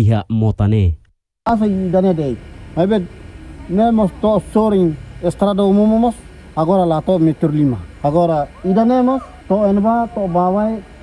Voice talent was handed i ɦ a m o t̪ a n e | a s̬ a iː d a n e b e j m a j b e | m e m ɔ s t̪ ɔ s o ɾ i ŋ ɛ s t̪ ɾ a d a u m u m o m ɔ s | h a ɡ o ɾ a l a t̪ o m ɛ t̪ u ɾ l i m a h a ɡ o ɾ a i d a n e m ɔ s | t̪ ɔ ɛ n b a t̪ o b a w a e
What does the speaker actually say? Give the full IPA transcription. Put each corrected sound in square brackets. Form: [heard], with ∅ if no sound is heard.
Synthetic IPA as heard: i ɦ a m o t̪ a n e | a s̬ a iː d a n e [d] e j m a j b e | m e m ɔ s t̪ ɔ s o ɾ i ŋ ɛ s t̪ ɾ a d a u m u m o m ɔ s | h a ɡ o ɾ a l a t̪ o m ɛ t̪ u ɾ l i m a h a ɡ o ɾ a i d a n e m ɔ s | t̪ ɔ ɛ n b a t̪ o b a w a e

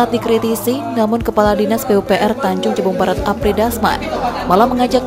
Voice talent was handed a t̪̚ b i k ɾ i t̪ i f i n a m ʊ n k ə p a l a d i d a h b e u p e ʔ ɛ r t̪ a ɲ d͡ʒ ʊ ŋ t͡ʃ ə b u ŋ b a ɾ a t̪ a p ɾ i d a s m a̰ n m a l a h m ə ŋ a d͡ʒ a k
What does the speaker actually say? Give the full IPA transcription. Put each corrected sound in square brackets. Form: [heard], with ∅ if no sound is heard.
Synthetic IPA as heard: a t̪̚ [d] i k ɾ i t̪ i [s] i n a m ʊ n k ə p a l a d i [n] a [s] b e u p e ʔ ɛ r t̪ a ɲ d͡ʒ ʊ ŋ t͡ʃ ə b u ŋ b a ɾ a t̪ a p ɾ i d a s m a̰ n m a l a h m ə ŋ a d͡ʒ a k

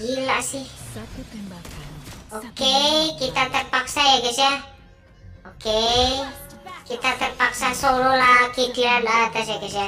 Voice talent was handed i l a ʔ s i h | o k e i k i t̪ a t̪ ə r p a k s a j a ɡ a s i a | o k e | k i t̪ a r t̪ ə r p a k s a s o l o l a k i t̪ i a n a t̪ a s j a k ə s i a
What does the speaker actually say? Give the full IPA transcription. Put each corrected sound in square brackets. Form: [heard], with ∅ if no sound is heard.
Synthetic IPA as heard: i l a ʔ s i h | o k e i k i t̪ a t̪ ə r p a k s a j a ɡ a s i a | o k e | k i t̪ a [∅] t̪ ə r p a k s a s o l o l a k i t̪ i a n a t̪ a s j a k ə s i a

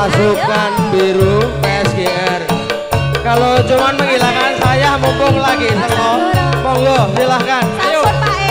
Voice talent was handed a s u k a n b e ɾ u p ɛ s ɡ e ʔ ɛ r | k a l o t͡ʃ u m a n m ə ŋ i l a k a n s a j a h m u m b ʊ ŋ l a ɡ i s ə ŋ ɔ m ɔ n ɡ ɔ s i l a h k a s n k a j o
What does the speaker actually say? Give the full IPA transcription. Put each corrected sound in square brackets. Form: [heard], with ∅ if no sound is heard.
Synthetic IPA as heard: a s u k a n b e ɾ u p ɛ s ɡ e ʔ ɛ r | k a l o t͡ʃ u m a n m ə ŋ i l a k a n s a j a h m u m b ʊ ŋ l a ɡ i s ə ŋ ɔ m ɔ [ŋ] ɡ ɔ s i l a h k a [∅] n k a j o

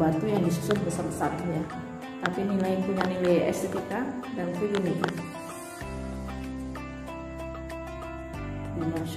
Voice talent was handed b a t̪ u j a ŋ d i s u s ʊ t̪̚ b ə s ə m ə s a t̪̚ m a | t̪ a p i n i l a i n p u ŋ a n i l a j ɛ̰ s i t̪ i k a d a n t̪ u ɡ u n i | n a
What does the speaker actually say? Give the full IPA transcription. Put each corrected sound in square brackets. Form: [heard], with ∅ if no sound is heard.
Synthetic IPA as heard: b a t̪ u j a ŋ d i s u s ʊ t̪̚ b ə s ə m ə s a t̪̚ [ɲ] a | t̪ a p i n i l a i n p u [ɲ] a n i l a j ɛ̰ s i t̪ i k a d a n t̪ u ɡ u n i | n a

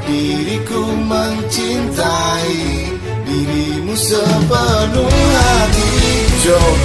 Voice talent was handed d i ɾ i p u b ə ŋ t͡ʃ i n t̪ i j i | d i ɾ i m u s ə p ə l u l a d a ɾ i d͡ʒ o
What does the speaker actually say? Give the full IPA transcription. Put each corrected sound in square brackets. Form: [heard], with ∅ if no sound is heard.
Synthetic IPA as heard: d i ɾ i [k] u [m] ə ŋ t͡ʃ i n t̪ [a] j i | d i ɾ i m u s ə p ə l u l a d [i] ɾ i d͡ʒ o

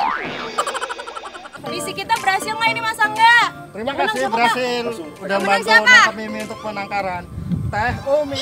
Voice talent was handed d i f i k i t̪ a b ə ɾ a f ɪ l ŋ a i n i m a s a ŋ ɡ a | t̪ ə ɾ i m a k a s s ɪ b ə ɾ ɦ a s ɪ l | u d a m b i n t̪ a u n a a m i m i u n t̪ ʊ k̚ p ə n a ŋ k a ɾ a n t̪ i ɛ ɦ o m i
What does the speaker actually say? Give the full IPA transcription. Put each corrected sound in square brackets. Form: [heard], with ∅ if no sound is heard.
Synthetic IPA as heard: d i [s] i k i t̪ a b ə ɾ a [s] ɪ l ŋ a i n i m a s a ŋ ɡ a | t̪ ə ɾ i m a k a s s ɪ b ə ɾ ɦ a s ɪ l | u d a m b [a] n t̪ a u n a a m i m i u n t̪ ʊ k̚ p ə n a ŋ k a ɾ a n t̪ [a] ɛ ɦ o m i

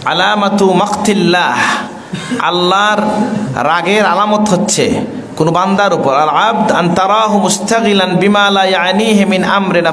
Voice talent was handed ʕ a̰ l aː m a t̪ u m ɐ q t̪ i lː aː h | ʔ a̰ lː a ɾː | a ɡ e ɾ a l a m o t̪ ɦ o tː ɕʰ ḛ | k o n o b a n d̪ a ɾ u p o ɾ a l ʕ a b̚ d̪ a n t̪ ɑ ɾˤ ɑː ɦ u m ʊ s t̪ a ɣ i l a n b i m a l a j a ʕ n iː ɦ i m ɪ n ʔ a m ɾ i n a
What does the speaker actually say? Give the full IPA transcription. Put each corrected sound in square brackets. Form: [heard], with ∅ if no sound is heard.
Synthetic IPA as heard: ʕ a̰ l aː m a t̪ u m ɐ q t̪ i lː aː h | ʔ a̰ lː a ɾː | a ɡ e ɾ a l a m o t̪ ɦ o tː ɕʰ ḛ | k o n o b a n d̪ a ɾ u p o ɾ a l ʕ a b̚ d̪ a n t̪ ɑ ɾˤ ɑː ɦ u m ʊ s t̪ a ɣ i l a n b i m a l a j a ʕ n iː ɦ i m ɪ n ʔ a m ɾ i n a

